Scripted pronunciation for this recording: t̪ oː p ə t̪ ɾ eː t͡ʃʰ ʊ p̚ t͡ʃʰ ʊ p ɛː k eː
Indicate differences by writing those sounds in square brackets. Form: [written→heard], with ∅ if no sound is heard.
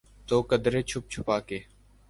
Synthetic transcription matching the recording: t̪ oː [p→k] ə [t̪→d̪] ɾ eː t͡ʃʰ ʊ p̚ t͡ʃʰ ʊ p [ɛː→aː] k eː